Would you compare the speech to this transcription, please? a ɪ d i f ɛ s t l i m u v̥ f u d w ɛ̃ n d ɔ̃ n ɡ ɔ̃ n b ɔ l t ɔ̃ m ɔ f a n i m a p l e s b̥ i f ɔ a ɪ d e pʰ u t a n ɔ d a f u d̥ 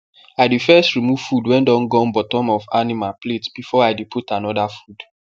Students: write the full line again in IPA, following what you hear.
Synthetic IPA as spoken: a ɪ d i f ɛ s t ɹ i m u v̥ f u d w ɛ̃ n d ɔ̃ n ɡ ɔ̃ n b ɔ t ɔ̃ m ɔ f a n i m a p l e t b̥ i f ɔ a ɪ d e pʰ u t a n ɔ d a f u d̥